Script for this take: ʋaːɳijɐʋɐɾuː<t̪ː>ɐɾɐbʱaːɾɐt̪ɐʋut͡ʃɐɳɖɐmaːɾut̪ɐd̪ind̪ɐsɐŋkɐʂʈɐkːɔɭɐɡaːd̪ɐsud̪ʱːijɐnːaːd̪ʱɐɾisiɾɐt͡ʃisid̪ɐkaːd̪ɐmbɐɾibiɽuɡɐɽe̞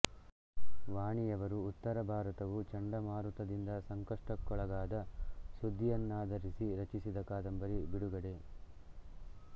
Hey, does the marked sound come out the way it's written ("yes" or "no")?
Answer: yes